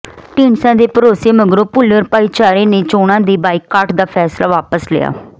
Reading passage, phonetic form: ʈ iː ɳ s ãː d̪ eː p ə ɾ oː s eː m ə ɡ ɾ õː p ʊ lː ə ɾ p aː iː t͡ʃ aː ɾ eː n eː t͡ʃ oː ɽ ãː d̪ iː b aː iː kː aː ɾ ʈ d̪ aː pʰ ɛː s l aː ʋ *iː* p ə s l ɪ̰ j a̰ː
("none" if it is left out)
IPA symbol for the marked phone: aː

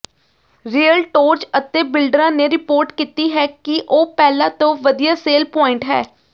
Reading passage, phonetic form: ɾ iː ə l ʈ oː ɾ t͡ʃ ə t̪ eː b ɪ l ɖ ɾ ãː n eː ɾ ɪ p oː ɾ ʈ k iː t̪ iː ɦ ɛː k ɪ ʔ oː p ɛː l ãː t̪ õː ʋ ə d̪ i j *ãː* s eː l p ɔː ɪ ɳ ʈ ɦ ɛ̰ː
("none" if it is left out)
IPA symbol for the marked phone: aː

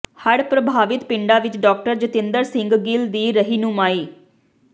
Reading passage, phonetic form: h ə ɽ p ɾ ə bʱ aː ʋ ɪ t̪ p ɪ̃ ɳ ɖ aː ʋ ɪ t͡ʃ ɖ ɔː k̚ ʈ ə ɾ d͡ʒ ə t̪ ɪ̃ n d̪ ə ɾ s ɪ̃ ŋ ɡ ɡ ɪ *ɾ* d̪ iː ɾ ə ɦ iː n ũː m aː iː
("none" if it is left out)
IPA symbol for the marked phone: l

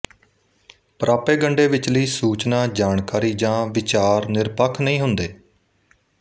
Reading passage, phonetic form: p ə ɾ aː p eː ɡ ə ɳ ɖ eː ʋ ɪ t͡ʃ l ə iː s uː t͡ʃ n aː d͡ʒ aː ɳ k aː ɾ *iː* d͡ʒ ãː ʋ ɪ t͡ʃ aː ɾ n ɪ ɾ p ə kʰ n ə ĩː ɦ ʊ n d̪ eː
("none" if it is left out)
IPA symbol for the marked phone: iː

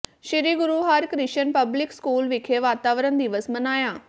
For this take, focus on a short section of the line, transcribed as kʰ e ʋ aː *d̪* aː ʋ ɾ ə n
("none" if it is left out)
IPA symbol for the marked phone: t̪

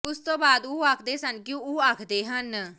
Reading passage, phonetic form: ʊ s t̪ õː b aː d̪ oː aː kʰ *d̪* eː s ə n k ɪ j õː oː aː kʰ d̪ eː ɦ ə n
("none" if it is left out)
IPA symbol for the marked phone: d̪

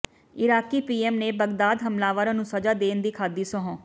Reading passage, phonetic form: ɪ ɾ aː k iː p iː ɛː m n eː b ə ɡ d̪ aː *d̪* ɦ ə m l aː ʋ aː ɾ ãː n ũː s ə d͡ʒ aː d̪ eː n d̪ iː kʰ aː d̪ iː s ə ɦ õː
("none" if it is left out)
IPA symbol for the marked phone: d̪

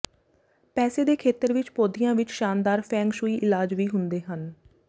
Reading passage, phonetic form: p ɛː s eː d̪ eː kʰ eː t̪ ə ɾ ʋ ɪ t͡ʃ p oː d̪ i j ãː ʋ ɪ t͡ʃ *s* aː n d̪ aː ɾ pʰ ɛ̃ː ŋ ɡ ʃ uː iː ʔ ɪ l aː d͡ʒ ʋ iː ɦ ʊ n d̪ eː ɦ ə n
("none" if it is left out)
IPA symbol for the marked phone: ʃ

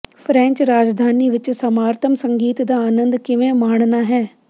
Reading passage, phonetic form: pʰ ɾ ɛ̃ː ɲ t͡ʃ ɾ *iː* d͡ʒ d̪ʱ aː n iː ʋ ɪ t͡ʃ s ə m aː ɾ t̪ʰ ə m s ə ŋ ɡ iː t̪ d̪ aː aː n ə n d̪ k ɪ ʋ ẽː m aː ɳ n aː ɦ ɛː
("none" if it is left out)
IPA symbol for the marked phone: aː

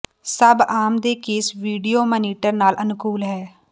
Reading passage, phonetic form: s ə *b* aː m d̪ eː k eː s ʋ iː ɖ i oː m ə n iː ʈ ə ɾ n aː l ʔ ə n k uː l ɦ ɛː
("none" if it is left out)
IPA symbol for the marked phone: b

